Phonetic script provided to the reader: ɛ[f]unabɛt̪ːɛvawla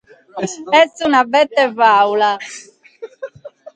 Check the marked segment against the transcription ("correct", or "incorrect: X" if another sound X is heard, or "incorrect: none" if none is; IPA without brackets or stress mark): incorrect: s